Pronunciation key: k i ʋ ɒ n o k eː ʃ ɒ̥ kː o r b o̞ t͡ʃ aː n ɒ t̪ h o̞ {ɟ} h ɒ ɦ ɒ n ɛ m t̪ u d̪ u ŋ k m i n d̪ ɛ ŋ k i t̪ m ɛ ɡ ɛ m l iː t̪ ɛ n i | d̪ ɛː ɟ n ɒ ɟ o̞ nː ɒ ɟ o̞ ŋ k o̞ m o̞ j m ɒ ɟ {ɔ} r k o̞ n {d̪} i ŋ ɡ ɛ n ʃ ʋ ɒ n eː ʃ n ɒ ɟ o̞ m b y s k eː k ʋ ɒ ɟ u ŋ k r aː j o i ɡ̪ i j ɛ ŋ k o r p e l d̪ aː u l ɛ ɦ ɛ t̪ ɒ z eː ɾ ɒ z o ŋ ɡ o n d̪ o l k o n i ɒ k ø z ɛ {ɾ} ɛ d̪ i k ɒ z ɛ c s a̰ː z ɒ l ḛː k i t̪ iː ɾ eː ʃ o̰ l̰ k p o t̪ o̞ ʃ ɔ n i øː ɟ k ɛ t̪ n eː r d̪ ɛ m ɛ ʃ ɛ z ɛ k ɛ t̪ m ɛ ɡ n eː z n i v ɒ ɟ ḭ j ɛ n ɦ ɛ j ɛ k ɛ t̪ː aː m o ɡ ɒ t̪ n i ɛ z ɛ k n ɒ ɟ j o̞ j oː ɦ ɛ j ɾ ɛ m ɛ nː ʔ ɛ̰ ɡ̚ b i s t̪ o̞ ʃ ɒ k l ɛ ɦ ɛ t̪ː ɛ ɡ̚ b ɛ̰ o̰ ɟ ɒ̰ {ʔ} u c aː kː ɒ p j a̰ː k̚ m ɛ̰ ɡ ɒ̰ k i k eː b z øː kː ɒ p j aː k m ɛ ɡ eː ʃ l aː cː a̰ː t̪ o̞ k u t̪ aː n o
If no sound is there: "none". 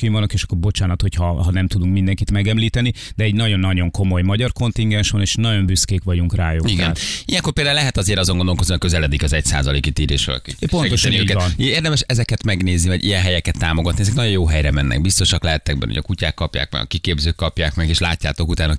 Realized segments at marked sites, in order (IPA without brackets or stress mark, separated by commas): c, ɒ, t̪, l, k